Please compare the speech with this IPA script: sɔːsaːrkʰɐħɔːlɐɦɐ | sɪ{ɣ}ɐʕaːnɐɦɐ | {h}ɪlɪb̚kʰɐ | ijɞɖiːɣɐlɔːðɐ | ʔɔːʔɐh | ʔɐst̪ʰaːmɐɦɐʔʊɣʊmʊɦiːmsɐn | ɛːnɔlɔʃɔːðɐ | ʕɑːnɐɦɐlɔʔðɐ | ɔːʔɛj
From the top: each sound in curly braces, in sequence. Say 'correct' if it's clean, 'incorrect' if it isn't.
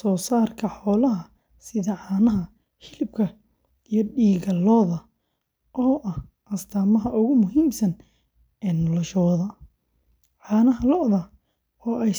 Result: incorrect: ð, correct

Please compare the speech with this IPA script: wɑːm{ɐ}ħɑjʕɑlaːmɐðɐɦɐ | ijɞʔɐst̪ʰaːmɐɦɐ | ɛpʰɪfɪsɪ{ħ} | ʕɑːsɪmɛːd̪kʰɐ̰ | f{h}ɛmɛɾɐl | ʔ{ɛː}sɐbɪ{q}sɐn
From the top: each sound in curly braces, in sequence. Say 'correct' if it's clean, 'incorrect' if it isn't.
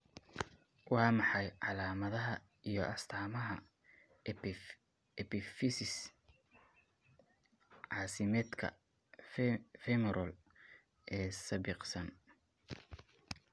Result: incorrect: ɑ, incorrect: s, incorrect: f, correct, correct

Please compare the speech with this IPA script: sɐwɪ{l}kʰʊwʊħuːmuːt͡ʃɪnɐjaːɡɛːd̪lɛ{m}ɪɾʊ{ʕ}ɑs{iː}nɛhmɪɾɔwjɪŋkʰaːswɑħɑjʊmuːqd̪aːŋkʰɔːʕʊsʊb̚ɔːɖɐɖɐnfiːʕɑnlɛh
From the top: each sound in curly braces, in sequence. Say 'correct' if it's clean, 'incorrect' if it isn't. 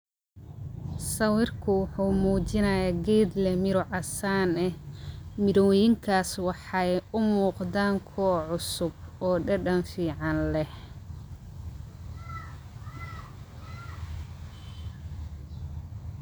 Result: incorrect: r, correct, correct, incorrect: aː

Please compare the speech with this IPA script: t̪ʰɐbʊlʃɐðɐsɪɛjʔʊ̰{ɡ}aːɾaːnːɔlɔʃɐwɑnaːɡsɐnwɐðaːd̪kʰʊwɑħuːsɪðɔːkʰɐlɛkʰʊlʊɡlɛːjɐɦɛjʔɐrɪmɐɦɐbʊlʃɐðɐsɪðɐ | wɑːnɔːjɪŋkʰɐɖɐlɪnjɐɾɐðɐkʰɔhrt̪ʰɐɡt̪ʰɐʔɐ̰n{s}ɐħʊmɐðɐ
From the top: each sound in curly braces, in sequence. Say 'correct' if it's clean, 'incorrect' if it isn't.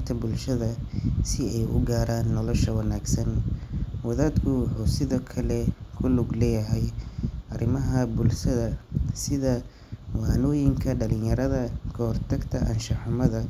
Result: correct, incorrect: ʃ

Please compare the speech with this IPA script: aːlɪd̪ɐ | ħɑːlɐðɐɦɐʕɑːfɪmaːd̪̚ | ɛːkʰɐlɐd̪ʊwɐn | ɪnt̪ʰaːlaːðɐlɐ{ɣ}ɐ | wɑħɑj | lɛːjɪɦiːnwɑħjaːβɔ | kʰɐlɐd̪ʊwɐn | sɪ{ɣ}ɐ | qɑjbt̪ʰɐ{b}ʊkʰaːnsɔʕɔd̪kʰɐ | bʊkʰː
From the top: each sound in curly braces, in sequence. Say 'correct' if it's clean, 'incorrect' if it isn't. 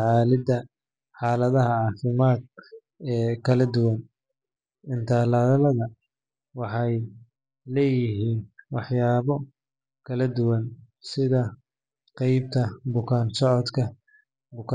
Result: incorrect: ð, incorrect: ð, correct

